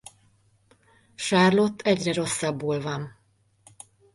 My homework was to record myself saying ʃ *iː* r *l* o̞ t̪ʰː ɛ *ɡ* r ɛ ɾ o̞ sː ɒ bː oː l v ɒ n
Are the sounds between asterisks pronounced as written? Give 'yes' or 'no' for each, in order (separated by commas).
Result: no, yes, no